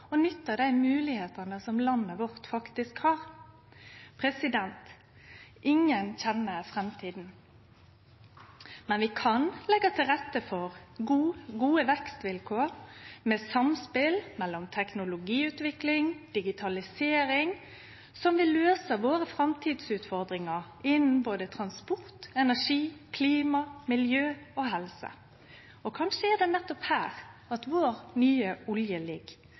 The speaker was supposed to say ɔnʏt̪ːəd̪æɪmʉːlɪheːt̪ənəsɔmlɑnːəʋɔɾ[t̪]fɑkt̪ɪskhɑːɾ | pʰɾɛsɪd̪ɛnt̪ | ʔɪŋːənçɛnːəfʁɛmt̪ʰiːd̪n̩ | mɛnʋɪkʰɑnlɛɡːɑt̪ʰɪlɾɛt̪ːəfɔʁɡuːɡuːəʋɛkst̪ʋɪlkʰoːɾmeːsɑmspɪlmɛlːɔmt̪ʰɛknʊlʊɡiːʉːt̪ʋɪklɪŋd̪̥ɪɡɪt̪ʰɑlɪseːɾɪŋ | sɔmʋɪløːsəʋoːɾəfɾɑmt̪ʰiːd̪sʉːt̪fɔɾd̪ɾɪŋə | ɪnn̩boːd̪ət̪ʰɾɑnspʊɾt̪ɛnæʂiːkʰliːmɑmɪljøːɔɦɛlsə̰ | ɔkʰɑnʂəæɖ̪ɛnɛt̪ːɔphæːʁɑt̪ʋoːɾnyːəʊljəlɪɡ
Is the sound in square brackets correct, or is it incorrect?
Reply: correct